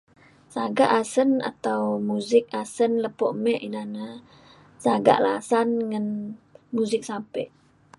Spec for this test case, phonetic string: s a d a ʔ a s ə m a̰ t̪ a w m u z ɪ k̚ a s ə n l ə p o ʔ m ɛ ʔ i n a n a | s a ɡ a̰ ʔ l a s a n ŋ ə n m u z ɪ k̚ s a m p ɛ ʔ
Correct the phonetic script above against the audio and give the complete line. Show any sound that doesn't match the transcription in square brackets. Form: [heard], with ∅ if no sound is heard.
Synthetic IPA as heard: s a [ɡ] a ʔ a s ə [n] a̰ t̪ a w m u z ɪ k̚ a s ə n l ə p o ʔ m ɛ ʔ i n a n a | s a ɡ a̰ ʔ l a s a n ŋ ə n m u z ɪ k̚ s a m p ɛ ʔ